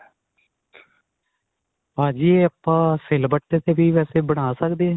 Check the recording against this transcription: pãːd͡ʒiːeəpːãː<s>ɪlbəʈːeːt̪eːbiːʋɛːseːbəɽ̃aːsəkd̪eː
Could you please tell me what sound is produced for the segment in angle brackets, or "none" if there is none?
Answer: s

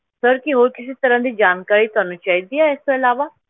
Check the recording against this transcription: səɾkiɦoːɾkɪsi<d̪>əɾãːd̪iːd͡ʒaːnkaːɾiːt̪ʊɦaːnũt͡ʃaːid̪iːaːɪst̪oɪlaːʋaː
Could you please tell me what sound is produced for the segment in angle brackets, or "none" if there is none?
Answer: t̪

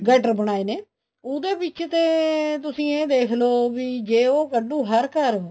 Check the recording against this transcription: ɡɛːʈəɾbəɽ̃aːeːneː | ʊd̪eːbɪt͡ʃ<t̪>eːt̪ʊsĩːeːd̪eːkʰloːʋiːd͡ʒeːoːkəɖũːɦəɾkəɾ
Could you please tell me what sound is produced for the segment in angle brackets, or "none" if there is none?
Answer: t̪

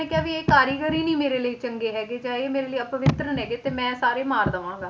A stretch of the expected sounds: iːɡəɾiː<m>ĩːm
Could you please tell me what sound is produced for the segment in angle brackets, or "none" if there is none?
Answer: n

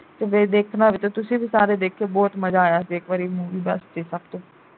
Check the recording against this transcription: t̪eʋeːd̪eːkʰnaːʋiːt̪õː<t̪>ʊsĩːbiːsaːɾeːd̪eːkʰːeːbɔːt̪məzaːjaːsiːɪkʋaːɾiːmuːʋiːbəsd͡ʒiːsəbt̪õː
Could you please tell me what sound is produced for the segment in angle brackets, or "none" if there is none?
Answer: t̪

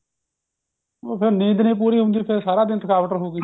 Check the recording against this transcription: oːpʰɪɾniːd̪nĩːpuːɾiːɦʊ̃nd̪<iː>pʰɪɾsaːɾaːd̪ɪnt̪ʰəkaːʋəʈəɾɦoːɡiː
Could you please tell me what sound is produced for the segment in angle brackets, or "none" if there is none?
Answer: iː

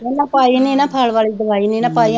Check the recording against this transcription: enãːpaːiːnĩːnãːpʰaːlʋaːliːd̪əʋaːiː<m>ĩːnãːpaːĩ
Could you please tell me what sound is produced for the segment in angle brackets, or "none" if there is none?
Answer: n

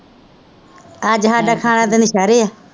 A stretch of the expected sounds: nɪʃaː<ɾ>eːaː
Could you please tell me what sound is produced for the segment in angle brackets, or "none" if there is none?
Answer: ɾ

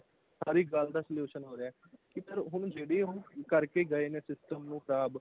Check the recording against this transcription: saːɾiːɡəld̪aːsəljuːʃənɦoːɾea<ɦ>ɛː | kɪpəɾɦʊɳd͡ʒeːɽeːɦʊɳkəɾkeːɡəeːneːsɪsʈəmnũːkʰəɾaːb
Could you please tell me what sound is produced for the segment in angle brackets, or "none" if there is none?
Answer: none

